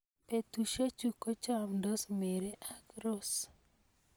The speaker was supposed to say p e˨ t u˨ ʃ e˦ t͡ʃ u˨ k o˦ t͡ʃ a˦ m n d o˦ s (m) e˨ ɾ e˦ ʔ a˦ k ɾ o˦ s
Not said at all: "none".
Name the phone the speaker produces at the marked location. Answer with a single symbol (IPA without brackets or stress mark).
m